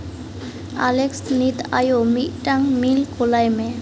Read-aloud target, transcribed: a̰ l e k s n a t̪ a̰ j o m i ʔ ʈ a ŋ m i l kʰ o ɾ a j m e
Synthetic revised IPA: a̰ l e k s n i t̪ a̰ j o m i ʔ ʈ a ŋ m i l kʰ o l a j m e